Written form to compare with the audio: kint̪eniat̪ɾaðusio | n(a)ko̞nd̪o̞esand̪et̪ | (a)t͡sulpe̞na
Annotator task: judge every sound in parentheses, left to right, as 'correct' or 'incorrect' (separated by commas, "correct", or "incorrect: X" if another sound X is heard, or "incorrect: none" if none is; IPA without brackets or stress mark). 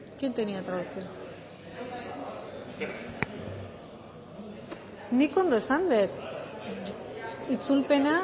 incorrect: i, incorrect: i